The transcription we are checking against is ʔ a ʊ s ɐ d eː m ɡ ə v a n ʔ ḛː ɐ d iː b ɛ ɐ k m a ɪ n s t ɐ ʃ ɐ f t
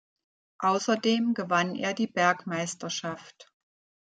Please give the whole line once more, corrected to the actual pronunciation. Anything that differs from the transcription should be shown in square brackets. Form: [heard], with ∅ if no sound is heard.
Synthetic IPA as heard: ʔ a ʊ s ɐ d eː m ɡ ə v a n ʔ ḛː ɐ d iː b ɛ ɐ k m a ɪ [∅] s t ɐ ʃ [a] f t